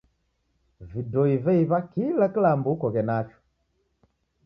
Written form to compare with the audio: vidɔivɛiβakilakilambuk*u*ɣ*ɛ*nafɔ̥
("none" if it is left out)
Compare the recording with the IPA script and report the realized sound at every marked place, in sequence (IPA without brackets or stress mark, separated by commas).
ɔ, ɛ